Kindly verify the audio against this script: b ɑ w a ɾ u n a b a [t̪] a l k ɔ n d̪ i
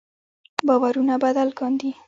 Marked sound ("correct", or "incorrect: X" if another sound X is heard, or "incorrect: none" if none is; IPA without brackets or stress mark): incorrect: d̪